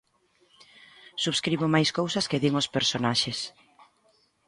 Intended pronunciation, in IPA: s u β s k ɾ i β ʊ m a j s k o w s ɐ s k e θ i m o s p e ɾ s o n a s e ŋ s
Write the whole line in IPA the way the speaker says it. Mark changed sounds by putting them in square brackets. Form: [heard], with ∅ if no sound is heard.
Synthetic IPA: s u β s k ɾ i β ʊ m a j s k o w s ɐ s k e [ð] i [ŋ] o s p e ɾ s o n a [ʃ] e [∅] s